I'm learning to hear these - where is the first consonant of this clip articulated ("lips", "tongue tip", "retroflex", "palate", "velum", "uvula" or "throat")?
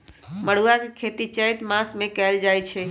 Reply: lips